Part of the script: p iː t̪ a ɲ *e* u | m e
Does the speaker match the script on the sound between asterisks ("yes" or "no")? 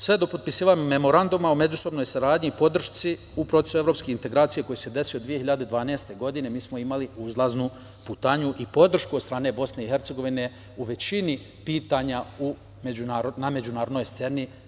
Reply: no